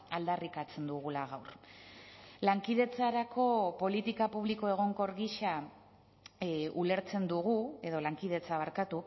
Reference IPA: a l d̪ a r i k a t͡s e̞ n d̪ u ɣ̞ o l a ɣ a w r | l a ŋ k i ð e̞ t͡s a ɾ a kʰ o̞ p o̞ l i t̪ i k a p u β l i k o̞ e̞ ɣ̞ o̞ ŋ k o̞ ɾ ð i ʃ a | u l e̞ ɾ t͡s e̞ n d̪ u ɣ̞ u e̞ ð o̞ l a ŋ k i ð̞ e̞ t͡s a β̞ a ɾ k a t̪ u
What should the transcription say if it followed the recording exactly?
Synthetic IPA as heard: a l d̪ a r i k a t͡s e̞ n d̪ u ɣ̞ u l a ɣ a w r | l a ŋ k i ð e̞ t͡s a ɾ a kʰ o̞ p o̞ l i t̪ i k a p u β l i k o̞ e̞ ɣ̞ o̞ ŋ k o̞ ɾ ɣ i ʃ a | u l e̞ ɾ t͡s e̞ n d̪ u ɣ̞ u e̞ ð o̞ l a ŋ k i ð̞ e̞ t͡s a β̞ a ɾ k a t̪ u